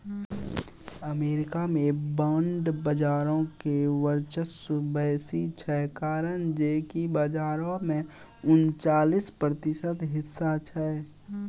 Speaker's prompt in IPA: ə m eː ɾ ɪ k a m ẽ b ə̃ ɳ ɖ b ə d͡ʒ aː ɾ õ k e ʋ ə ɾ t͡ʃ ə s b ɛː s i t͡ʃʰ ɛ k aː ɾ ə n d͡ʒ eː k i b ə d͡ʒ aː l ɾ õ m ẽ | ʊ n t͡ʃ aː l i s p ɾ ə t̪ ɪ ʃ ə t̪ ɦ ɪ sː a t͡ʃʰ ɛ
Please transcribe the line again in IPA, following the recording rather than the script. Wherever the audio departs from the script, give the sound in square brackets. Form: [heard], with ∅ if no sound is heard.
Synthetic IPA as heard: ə m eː ɾ ɪ k a m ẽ b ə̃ ɳ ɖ b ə d͡ʒ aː ɾ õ k e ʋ ə ɾ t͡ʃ ə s b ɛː s i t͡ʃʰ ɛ k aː ɾ ə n d͡ʒ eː k i b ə d͡ʒ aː [∅] ɾ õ m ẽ | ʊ n t͡ʃ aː l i s p ɾ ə t̪ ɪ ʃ ə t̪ ɦ ɪ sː a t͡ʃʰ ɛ